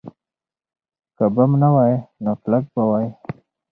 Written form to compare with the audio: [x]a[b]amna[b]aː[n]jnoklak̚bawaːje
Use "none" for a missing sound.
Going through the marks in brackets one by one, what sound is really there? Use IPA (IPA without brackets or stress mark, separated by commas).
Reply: k, b, w, none